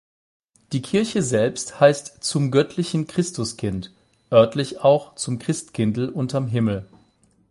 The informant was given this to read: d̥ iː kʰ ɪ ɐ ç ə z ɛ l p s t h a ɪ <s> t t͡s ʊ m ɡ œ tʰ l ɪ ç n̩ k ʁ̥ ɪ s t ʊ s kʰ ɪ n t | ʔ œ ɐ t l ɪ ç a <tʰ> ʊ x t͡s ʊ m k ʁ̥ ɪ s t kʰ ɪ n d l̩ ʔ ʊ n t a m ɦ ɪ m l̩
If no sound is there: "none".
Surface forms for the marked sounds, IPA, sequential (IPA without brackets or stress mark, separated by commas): s, none